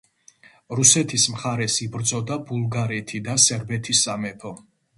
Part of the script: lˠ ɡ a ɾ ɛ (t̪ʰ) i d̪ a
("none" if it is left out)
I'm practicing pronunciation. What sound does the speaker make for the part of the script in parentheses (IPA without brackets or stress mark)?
t̪ʰ